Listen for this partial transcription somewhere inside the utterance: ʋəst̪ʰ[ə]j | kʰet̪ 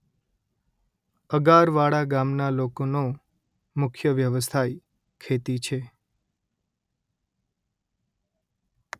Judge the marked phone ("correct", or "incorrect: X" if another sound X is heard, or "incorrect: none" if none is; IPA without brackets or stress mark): incorrect: a